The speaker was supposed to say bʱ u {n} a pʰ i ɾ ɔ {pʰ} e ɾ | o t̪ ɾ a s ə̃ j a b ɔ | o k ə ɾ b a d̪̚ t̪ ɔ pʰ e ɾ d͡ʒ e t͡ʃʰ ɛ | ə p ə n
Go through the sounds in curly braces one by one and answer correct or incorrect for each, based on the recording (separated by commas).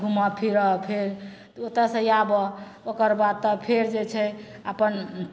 incorrect, correct